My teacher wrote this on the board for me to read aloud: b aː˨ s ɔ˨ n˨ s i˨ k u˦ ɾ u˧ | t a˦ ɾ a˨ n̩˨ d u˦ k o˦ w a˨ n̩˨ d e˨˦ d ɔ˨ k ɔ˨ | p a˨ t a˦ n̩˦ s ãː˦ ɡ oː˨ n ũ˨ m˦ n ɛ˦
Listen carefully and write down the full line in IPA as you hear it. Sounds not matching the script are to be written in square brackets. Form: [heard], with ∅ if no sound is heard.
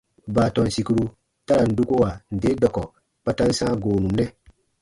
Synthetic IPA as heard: b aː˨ [t] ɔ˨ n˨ s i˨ k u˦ ɾ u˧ | t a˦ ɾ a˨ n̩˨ d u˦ k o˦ w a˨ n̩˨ d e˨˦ d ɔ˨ k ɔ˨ | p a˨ t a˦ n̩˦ s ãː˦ ɡ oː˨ n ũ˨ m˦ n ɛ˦

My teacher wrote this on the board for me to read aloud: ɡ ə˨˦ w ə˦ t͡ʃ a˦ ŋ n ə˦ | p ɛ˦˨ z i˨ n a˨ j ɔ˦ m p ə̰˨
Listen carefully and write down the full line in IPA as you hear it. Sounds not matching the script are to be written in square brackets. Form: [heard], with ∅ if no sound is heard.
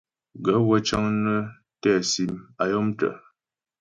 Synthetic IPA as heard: ɡ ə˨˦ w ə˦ t͡ʃ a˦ ŋ n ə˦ | [t] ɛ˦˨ [s] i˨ [m] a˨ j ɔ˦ m [t] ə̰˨

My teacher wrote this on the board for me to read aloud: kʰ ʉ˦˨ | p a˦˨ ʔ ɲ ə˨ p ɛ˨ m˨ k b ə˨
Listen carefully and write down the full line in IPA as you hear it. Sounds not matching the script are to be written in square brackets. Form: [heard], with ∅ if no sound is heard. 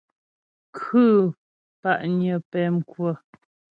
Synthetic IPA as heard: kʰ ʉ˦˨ | p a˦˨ ʔ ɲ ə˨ p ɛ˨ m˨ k [w] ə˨

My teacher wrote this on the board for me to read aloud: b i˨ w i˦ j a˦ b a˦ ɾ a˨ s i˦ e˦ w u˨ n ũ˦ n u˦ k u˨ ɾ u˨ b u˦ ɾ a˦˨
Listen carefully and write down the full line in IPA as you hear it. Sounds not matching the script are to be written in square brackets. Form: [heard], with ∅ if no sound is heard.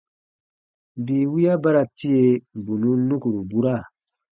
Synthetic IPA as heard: b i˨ w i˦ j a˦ b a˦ ɾ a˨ [t] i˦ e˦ [b] u˨ n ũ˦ n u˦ k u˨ ɾ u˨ b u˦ ɾ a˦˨

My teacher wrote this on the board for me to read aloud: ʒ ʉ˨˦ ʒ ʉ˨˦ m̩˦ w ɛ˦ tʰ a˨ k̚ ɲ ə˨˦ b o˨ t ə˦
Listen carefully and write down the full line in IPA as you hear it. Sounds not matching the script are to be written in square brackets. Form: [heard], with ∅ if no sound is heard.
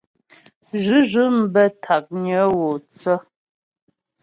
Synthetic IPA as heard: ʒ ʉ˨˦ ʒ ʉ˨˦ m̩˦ [b] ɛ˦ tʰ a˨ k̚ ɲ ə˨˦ [w] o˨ [t͡s] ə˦

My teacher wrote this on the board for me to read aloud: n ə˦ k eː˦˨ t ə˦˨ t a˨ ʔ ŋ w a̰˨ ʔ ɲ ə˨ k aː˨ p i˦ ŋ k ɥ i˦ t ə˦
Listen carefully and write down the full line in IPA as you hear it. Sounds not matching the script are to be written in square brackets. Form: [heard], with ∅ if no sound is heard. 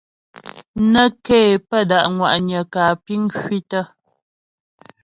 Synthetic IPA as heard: n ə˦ k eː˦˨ [p] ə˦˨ [d] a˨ ʔ ŋ w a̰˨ ʔ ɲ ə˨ k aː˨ p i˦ ŋ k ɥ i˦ t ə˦

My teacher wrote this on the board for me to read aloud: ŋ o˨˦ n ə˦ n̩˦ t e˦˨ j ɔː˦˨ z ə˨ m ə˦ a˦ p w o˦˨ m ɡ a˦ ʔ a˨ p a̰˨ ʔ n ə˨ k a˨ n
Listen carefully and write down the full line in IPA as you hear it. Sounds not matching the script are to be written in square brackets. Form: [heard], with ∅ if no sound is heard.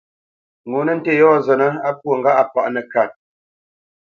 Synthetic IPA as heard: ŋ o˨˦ n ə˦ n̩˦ t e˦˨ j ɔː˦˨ z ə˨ [n] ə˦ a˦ p w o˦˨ [ŋ] ɡ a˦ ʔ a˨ p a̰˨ ʔ n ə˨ k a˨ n

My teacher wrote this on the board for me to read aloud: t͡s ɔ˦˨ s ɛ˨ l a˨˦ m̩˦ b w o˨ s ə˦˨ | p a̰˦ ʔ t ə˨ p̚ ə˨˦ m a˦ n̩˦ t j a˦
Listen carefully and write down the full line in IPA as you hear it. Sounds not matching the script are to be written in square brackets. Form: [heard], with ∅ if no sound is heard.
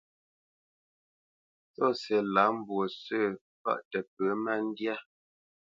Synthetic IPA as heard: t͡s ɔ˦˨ s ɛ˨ l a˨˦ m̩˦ b w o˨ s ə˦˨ | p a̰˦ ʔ t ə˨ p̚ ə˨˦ m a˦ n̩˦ [d] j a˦

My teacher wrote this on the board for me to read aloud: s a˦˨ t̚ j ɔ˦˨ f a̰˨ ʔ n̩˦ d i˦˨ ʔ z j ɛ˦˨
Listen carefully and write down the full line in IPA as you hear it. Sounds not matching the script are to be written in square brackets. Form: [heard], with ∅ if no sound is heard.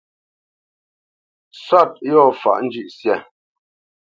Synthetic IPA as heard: s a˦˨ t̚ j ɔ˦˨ f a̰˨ ʔ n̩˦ [d͡ʒ] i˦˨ ʔ [s] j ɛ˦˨

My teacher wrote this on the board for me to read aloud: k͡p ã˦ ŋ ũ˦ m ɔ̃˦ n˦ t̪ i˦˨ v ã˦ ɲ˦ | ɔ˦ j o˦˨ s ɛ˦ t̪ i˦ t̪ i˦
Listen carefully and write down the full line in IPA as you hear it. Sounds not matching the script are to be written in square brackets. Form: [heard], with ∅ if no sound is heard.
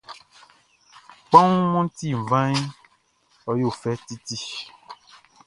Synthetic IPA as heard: k͡p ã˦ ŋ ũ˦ m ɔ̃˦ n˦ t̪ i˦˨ v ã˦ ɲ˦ | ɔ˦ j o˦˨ [f] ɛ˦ t̪ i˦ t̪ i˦

